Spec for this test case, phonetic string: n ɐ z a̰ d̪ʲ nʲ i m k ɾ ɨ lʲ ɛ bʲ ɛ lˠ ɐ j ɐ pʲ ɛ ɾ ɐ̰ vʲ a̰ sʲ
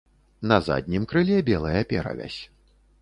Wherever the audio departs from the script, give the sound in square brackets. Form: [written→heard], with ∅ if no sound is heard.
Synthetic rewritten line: n ɐ z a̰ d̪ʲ nʲ i m k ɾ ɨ lʲ ɛ bʲ ɛ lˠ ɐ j ɐ pʲ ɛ ɾ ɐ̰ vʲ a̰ sʲ